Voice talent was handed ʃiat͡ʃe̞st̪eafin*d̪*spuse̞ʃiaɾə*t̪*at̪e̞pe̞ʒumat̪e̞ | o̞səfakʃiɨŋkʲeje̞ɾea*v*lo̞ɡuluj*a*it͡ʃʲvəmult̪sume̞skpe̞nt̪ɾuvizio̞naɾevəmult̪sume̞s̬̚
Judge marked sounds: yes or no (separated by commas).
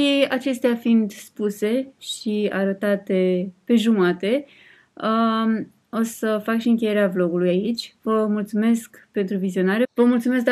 yes, yes, yes, yes